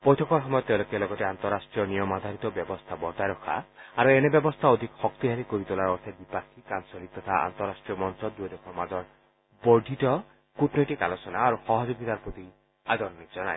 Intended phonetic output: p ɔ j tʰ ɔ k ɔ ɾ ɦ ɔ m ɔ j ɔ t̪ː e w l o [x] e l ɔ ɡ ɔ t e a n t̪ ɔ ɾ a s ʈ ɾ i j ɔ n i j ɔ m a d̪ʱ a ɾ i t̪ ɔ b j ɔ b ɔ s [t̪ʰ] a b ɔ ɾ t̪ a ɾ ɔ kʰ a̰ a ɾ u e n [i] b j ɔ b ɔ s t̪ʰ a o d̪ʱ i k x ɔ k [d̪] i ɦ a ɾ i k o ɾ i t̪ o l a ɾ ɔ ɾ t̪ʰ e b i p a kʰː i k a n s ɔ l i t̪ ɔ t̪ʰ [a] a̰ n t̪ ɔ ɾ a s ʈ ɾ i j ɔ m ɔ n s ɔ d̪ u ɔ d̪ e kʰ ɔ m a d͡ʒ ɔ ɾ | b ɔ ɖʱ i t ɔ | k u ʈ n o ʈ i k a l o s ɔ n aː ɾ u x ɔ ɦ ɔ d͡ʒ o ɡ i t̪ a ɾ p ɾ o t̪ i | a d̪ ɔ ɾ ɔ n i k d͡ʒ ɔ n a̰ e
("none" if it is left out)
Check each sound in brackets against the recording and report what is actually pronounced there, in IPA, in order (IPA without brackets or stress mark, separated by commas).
k, t̪ʰ, e, t̪, a